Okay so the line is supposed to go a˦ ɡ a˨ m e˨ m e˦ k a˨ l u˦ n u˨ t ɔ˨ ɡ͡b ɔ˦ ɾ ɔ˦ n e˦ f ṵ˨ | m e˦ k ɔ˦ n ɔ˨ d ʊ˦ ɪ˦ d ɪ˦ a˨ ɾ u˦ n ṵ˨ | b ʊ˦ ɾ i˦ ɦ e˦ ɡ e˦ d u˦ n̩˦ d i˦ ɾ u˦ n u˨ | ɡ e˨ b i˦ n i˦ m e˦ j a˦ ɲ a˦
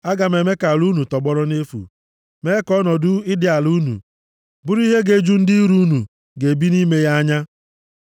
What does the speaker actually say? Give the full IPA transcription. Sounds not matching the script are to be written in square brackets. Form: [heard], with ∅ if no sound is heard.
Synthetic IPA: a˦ ɡ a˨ m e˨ m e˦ k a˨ l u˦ n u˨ t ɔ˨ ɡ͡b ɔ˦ ɾ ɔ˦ n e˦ f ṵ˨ | m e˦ k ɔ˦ n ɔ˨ d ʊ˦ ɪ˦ d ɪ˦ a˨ [l] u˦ n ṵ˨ | b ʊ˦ ɾ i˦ ɦ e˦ ɡ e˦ [d͡ʒ] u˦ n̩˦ d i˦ ɾ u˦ n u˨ | ɡ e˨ b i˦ n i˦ m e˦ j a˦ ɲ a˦

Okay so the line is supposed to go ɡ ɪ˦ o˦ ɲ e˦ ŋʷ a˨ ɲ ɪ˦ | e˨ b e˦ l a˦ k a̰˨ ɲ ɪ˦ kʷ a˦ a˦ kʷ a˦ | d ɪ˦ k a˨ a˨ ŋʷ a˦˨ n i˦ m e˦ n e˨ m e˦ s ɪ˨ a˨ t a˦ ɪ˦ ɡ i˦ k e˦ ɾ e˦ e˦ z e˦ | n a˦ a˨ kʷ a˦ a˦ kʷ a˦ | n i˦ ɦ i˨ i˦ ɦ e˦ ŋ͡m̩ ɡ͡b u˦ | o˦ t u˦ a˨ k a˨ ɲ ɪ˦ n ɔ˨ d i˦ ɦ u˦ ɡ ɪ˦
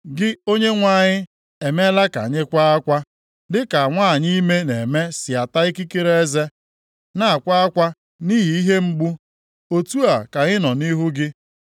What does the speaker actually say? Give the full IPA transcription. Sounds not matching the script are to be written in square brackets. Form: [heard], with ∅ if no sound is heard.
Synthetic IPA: ɡ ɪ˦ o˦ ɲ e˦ ŋʷ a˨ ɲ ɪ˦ | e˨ [m] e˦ l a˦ k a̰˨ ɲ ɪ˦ kʷ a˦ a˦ kʷ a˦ | d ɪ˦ k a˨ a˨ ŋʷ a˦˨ [ɲ] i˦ m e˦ n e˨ m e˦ s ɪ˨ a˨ t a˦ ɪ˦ [k] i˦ k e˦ ɾ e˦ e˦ z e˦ | n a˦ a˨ kʷ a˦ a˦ kʷ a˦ | n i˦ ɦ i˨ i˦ ɦ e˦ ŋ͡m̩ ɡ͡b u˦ | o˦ t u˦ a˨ k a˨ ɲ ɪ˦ n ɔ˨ [n] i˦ ɦ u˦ ɡ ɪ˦

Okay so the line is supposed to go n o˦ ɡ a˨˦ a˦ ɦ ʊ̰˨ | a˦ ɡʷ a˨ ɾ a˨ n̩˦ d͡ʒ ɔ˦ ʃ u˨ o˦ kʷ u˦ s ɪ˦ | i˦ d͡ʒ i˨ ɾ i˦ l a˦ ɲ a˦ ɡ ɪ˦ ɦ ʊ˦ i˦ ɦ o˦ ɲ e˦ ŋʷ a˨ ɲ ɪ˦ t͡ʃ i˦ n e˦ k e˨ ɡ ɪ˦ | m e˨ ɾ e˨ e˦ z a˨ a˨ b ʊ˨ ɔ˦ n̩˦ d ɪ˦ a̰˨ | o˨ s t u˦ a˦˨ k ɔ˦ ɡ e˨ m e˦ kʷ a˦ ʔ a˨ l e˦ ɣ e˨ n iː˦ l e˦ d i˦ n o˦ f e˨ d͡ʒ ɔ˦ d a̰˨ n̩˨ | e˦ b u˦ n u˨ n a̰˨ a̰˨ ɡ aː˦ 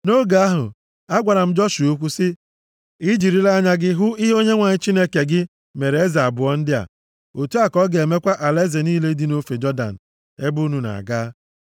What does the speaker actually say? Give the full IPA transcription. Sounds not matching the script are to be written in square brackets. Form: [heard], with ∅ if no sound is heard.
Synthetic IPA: n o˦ ɡ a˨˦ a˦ ɦ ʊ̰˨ | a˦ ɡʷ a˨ ɾ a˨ [m̩˦] d͡ʒ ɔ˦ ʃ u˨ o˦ kʷ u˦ s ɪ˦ | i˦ d͡ʒ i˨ ɾ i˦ l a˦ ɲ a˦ ɡ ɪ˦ ɦ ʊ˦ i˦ ɦ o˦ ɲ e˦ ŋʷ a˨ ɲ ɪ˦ t͡ʃ i˦ n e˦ k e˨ ɡ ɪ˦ | m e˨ ɾ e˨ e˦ z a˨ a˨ b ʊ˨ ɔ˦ n̩˦ d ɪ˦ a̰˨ | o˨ [∅] t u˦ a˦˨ k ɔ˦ ɡ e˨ m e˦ kʷ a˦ ʔ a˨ l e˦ [z] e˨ n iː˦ l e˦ d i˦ n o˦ f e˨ d͡ʒ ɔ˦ d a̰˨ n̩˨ | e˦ b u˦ n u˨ n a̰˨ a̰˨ ɡ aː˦

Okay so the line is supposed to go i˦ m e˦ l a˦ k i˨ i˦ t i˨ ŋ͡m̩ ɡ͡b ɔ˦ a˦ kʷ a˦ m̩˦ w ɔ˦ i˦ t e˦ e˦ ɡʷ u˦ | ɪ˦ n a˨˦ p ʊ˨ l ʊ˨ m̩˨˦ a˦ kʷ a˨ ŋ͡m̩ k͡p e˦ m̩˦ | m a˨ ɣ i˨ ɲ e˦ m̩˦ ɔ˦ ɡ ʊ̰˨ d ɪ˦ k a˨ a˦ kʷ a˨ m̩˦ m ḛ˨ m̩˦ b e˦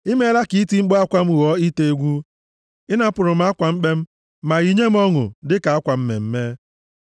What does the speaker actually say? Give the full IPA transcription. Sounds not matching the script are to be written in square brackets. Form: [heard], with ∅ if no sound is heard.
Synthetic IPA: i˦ m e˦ l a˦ k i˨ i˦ t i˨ ŋ͡m̩ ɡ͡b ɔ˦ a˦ kʷ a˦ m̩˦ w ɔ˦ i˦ t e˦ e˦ ɡʷ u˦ | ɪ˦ n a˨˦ p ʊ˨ [ɾ] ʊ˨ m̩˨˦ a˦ kʷ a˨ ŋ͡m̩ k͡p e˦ m̩˦ | m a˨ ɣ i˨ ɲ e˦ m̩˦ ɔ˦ [ŋ] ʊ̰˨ d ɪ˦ k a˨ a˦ kʷ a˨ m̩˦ m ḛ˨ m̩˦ [m] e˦

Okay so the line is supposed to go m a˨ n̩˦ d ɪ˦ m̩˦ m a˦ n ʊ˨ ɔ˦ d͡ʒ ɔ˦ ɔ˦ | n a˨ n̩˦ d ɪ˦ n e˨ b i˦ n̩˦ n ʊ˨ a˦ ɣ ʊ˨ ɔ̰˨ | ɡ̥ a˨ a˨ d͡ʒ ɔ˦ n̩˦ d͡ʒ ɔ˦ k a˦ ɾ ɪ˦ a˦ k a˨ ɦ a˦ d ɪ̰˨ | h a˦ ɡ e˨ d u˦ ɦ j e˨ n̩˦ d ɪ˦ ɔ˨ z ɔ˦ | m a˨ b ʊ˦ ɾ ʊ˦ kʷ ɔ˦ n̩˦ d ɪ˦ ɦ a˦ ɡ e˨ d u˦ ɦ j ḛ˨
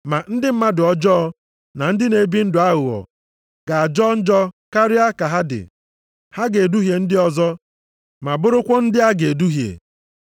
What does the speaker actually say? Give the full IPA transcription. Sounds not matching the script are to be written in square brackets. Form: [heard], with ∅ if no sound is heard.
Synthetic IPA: m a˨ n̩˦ d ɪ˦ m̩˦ m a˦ [d] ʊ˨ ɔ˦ d͡ʒ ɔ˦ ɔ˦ | n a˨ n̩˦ d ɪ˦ n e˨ b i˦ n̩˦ [d] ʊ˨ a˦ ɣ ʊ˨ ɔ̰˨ | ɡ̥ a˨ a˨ d͡ʒ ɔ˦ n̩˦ d͡ʒ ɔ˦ k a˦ ɾ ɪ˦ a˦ k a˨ ɦ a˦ d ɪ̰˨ | h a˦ ɡ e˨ d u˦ ɦ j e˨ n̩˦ d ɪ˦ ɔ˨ z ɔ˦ | m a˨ b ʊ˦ ɾ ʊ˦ kʷ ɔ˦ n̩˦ d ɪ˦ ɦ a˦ ɡ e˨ d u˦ ɦ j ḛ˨

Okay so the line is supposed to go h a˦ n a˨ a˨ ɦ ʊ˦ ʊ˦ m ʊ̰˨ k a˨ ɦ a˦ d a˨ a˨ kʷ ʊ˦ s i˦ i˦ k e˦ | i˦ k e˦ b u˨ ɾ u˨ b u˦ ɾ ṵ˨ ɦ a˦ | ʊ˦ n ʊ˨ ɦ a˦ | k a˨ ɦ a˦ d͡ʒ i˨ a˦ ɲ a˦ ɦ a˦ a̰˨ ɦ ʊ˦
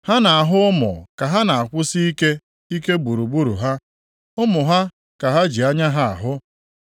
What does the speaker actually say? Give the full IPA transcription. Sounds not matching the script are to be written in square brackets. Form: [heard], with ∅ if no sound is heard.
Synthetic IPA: h a˦ n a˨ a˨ ɦ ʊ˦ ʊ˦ m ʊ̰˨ k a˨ ɦ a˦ [n] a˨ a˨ kʷ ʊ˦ s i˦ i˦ k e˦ | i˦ k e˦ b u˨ ɾ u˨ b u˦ ɾ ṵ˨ ɦ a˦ | ʊ˦ [m] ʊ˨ ɦ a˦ | k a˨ ɦ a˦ d͡ʒ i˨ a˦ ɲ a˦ ɦ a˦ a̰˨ ɦ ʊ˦

